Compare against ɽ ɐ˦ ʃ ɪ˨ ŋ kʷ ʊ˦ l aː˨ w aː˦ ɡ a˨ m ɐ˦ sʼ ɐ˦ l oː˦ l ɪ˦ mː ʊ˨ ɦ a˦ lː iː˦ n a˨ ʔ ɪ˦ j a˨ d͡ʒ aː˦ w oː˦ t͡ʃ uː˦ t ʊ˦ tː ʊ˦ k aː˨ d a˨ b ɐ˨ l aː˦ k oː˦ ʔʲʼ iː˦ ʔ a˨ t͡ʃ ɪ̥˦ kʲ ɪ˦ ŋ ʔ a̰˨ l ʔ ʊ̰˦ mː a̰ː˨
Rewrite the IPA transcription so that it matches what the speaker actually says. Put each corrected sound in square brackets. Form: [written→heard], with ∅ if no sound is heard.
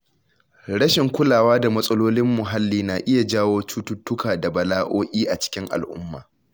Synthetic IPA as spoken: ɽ ɐ˦ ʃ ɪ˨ ŋ kʷ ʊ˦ l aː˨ w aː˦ [ɡ→d] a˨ m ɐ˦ sʼ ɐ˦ l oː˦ l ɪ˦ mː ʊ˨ ɦ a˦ lː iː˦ n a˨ ʔ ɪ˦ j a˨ d͡ʒ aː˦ w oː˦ t͡ʃ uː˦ t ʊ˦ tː ʊ˦ k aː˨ d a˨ b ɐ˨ l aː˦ [k→ʔ] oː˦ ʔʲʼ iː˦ ʔ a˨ t͡ʃ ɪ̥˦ kʲ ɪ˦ ŋ ʔ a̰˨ l ʔ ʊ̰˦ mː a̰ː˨